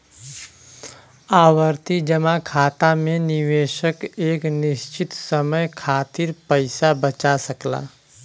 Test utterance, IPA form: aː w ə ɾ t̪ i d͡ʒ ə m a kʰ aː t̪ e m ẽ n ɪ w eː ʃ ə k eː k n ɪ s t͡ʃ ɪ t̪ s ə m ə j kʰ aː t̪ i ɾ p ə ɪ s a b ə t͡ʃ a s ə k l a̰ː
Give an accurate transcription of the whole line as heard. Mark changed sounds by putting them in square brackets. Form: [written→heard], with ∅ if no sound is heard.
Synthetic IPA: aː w ə ɾ t̪ i d͡ʒ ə m a kʰ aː t̪ [e→a] m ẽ n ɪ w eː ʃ ə k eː k n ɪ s t͡ʃ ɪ t̪ s ə m ə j kʰ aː t̪ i ɾ p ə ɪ s a b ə t͡ʃ a s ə k l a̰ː